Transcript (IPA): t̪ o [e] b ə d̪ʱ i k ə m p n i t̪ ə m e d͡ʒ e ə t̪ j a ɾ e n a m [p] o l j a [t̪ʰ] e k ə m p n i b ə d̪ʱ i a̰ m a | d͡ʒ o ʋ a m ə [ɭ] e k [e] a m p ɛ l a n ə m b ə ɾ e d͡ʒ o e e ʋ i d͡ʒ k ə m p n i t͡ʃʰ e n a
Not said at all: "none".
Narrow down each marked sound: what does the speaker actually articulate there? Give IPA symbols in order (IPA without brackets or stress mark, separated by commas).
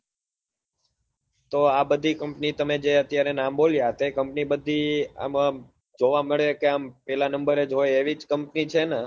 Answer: a, b, t̪, ɭ, e